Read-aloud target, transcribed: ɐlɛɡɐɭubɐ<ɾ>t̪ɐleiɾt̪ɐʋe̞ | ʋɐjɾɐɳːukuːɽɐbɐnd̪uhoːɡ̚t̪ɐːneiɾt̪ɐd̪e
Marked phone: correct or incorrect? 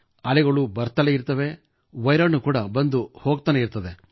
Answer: correct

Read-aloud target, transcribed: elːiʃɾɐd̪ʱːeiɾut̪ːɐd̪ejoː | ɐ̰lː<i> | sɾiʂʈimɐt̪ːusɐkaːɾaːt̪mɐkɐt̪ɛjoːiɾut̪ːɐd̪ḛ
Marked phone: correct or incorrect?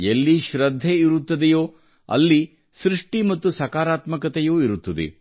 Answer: correct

